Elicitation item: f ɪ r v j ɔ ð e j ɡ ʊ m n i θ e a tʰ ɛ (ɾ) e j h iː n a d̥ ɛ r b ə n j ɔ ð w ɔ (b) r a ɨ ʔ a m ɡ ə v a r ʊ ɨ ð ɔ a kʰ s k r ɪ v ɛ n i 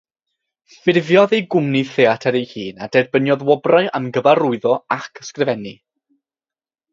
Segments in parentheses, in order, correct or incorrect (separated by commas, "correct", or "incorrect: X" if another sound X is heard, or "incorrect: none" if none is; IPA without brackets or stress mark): correct, correct